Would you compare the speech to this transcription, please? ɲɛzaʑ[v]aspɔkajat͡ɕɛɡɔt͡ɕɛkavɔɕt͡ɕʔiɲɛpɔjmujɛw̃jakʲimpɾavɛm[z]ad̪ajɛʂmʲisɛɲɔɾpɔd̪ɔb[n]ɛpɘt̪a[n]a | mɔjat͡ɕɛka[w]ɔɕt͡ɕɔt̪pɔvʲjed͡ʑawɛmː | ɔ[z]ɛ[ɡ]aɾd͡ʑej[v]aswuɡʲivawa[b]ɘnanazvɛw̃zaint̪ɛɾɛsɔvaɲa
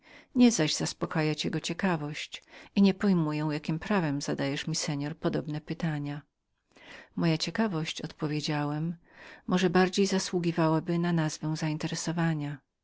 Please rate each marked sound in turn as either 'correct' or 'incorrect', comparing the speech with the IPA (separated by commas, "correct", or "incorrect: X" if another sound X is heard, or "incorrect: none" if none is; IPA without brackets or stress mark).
incorrect: z, correct, correct, incorrect: ɲ, incorrect: v, incorrect: ʐ, incorrect: b, incorrect: z, correct